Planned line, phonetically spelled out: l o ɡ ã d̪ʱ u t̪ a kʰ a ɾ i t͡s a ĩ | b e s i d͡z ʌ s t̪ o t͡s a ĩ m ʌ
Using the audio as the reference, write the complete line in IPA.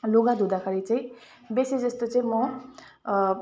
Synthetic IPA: l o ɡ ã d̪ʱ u d̪ a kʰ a ɾ i t͡s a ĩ | b e s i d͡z ʌ s t̪ o t͡s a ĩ m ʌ